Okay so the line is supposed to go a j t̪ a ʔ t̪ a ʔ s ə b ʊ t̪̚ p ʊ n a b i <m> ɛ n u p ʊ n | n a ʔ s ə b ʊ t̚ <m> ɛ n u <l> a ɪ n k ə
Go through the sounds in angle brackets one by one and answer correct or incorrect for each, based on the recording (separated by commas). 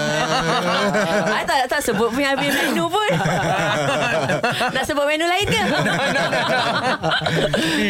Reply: correct, correct, correct